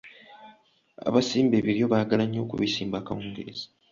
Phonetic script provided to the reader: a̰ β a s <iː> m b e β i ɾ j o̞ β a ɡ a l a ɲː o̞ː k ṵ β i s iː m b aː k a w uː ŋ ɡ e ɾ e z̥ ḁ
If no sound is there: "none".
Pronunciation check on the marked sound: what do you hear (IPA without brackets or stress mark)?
iː